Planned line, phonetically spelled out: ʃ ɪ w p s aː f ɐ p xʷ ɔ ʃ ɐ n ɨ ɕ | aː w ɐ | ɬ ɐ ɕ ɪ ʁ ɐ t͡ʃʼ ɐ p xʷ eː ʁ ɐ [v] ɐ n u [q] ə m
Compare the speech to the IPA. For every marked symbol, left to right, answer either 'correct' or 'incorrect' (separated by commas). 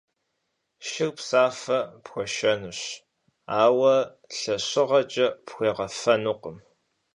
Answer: incorrect, correct